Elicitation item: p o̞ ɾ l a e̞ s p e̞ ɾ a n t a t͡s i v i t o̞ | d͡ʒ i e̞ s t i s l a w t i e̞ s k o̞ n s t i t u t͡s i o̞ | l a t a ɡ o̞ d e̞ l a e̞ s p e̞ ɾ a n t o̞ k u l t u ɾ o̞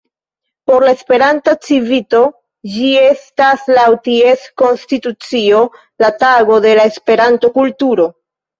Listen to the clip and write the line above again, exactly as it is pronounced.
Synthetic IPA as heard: p o̞ ɾ l a e̞ s p e̞ ɾ a n t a t͡s i v i t o̞ | d͡ʒ i e̞ s t a s l a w t i e̞ s k o̞ n s t i t u t͡s i o̞ | l a t a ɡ o̞ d e̞ l a e̞ s p e̞ ɾ a n t o̞ k u l t u ɾ o̞